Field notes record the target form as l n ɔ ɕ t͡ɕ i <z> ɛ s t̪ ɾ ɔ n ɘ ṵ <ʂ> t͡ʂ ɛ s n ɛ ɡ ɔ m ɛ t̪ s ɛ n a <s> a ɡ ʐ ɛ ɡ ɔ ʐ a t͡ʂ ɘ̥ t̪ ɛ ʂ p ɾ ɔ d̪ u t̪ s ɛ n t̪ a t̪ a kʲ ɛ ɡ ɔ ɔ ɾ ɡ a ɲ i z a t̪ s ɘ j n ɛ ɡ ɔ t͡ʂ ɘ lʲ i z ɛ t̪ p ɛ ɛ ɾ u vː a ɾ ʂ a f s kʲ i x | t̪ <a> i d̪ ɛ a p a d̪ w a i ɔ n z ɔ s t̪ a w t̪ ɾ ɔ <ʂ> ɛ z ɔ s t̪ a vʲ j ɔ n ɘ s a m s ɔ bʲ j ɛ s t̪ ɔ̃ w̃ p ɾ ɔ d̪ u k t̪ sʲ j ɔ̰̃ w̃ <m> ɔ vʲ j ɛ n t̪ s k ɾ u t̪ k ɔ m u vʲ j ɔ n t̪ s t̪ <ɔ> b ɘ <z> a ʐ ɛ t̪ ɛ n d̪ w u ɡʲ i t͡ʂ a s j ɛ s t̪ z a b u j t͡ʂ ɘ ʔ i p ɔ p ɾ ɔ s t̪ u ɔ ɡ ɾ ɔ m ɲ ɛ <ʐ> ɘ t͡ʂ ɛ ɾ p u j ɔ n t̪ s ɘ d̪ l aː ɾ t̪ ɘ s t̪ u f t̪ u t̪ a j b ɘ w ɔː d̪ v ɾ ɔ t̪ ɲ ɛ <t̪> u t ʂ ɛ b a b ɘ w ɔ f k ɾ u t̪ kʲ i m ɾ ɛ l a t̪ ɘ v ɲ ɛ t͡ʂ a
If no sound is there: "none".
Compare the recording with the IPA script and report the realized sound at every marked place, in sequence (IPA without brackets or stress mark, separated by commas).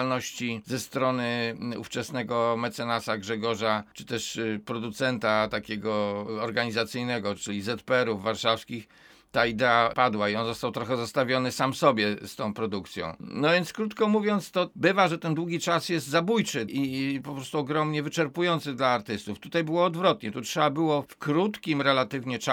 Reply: z, f, s, a, x, n, ɔ, v, v, t̪